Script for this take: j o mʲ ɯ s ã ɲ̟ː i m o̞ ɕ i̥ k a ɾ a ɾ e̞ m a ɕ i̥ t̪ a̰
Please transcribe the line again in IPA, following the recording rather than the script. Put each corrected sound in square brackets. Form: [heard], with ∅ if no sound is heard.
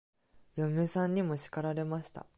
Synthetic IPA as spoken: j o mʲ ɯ s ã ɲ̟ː i m o̞ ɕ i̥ k a ɾ a ɾ e̞ m a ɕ i̥ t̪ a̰